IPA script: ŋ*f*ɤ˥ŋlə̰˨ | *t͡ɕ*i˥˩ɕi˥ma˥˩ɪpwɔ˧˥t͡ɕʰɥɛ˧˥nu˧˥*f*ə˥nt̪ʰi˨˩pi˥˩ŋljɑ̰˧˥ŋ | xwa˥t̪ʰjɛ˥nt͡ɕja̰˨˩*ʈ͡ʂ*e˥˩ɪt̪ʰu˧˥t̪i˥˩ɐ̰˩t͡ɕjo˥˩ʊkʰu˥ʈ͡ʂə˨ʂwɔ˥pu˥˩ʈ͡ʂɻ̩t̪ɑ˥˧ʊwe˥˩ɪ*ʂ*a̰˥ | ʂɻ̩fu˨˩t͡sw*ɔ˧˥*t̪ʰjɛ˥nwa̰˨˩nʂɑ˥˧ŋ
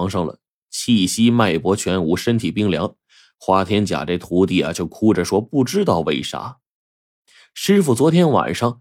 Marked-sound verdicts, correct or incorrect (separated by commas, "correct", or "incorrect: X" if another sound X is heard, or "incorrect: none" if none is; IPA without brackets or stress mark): incorrect: ʂ, incorrect: t͡ɕʰ, incorrect: ʂ, correct, correct, correct